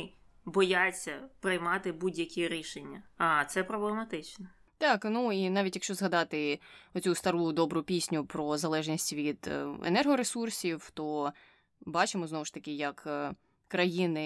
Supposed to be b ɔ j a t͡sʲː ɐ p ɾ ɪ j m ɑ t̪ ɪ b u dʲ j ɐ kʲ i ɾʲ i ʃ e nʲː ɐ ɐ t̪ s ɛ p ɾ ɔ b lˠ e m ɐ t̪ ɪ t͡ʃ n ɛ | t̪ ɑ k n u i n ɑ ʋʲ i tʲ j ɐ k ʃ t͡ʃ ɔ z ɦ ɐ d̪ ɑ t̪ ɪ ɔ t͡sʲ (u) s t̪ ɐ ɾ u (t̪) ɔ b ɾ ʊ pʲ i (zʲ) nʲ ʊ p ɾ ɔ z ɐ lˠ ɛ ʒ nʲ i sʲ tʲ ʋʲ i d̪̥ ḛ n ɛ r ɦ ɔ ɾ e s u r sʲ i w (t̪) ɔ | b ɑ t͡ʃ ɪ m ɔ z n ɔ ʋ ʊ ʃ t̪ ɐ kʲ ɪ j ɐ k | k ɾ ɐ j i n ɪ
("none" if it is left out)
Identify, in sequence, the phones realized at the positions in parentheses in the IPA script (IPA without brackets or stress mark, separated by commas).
u, d̪, sʲ, t̪